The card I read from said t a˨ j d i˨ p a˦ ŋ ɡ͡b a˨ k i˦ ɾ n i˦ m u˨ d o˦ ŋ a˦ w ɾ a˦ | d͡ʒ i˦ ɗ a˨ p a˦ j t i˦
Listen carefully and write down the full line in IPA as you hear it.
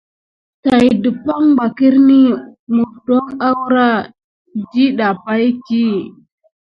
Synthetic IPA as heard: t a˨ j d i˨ p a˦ ŋ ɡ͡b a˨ k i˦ ɾ n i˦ m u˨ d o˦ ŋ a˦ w ɾ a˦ | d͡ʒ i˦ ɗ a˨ p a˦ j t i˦